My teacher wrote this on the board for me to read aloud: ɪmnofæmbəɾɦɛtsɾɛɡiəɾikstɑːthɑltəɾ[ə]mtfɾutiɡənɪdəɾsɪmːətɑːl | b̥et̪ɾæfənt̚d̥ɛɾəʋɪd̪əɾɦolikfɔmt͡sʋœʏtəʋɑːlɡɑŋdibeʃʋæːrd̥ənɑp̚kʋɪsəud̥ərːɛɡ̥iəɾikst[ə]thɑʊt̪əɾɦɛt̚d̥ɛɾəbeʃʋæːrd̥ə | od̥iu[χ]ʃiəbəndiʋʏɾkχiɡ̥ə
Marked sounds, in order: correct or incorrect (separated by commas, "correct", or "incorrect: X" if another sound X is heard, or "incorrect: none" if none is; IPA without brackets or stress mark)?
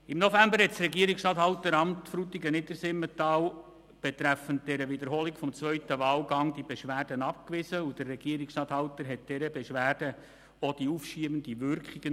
incorrect: ɑ, incorrect: ɑ, incorrect: f